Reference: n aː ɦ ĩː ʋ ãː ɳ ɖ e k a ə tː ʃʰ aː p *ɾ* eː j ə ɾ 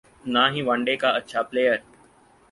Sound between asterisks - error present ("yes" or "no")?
yes